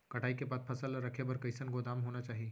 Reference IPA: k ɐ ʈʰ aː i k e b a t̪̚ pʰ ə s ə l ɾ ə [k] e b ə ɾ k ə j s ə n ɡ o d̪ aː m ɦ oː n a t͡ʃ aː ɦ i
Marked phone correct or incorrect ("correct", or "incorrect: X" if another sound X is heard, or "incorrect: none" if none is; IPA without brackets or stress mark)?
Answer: incorrect: kʰ